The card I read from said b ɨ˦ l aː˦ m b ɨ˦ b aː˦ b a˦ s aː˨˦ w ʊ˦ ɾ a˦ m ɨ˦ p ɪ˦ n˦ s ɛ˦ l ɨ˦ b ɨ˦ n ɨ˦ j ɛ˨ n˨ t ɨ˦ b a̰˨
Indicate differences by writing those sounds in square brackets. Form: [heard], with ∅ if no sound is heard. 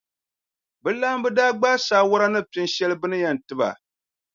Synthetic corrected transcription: b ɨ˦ l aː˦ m b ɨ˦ [d] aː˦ [ɡ͡b] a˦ s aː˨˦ w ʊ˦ ɾ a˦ [n] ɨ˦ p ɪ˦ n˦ [ʃ] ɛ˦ l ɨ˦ b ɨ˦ n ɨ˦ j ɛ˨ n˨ t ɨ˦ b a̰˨